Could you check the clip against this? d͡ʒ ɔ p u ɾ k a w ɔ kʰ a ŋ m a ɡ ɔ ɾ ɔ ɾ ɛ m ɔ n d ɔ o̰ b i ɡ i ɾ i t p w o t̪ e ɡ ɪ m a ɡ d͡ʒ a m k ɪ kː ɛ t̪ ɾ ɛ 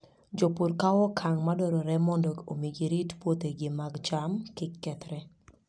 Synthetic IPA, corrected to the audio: d͡ʒ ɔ p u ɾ k a w ɔ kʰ a ŋ m a d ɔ ɾ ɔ ɾ ɛ m ɔ n d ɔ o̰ m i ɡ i ɾ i t p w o t̪ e ɡ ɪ m a ɡ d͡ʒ a m k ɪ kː ɛ t̪ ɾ ɛ

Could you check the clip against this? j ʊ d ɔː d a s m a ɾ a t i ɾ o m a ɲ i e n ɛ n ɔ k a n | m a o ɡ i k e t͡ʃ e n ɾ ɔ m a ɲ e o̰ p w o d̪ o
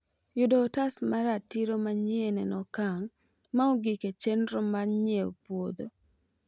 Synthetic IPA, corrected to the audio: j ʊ d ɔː t a s m a ɾ a t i ɾ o m a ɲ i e n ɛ n ɔ k a ŋ | m a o ɡ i k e t͡ʃ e n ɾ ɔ m a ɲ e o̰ p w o d̪ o

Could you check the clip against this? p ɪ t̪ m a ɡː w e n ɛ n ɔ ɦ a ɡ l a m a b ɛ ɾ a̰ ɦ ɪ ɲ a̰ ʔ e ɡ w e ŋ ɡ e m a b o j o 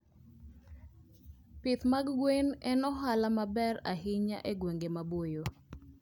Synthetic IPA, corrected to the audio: p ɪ t̪ m a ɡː w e n ɛ n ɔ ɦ a l a m a b ɛ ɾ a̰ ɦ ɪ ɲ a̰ ʔ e ɡ w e ŋ ɡ e m a b o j o

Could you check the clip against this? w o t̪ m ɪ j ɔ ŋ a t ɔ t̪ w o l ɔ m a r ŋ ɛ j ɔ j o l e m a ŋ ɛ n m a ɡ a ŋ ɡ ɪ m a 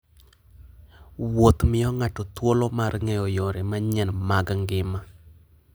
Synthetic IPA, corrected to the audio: w o t̪ m ɪ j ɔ ŋ a t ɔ t̪ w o l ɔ m a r ŋ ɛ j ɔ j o ɾ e m a ɲ ɛ n m a ɡ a ŋ ɡ ɪ m a

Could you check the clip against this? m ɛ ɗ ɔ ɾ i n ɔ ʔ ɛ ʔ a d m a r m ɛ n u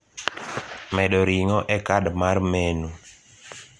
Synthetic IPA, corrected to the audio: m ɛ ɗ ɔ ɾ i ŋ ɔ ʔ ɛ k a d m a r m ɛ n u

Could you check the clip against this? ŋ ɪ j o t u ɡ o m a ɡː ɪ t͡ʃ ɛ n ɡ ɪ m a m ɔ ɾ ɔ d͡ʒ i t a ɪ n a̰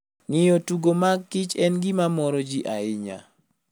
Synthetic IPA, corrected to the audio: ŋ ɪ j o t u ɡ o m a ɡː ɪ t͡ʃ ɛ n ɡ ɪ m a m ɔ ɾ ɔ d͡ʒ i ʔ a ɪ ɲ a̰

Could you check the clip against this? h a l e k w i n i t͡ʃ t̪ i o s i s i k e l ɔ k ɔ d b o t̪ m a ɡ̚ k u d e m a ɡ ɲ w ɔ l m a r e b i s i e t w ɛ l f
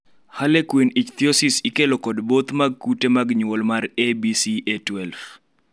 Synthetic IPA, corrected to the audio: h a l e k w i n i t͡ʃ t̪ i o s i s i k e l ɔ k ɔ d b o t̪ m a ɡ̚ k u t e m a ɡ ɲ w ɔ l m a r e b i s i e t w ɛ l f

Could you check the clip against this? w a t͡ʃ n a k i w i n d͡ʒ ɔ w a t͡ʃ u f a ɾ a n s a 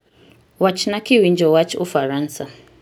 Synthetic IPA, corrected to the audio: w a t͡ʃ n a k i w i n d͡ʒ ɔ w a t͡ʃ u f a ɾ a n s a

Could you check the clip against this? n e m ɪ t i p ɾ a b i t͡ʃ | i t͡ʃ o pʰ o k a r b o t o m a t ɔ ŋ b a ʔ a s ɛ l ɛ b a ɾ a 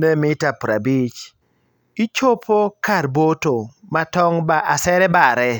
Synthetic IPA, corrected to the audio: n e m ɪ t a p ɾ a b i t͡ʃ | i t͡ʃ o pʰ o k a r b o t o m a t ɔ ŋ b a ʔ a s ɛ ɾ ɛ b a ɾ ɛ

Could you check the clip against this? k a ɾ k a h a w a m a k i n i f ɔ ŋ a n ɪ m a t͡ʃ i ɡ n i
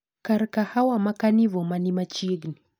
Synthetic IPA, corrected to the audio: k a ɾ k a h a w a m a k a n i v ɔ m a n i m a t͡ʃ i ɡ n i

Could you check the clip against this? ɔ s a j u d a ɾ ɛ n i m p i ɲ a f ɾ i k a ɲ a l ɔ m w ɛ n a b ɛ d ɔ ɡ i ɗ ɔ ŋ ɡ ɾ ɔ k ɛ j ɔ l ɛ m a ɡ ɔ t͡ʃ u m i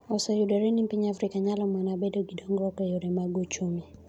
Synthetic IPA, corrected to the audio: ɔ s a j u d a ɾ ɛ n i m p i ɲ a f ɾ i k a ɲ a l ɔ m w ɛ n a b ɛ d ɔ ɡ i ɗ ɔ ŋ ɡ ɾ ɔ k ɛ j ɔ ɾ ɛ m a ɡ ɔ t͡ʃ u m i

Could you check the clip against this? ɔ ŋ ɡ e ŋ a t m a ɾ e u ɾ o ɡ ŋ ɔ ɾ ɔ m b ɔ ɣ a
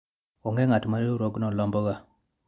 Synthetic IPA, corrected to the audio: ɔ ŋ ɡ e ŋ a t m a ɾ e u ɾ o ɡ n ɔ l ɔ m b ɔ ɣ a

